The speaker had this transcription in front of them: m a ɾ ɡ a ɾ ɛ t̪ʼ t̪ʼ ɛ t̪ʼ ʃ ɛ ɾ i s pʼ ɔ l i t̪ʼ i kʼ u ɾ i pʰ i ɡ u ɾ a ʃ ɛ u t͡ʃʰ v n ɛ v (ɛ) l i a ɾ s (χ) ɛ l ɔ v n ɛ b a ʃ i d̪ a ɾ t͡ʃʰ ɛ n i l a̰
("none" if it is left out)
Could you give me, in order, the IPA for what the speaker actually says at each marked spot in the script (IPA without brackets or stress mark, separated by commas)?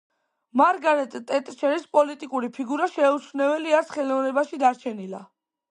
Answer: ɛ, χ